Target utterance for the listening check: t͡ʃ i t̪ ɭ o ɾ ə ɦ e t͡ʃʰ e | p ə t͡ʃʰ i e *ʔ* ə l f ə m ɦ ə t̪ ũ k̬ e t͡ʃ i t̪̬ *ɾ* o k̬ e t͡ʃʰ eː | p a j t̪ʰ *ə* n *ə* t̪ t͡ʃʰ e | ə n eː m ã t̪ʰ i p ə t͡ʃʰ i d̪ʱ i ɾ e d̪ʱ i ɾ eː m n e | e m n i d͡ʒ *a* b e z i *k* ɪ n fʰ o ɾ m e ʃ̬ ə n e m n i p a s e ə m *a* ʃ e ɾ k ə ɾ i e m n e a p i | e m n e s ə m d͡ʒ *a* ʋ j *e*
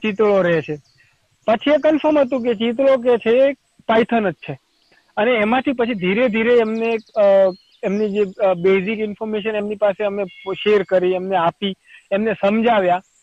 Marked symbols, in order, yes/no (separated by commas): no, no, yes, yes, no, yes, no, yes, no